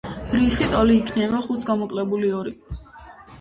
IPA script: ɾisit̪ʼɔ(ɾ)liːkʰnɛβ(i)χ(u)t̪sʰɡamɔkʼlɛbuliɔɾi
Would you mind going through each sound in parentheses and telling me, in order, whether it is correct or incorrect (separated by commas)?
incorrect, incorrect, correct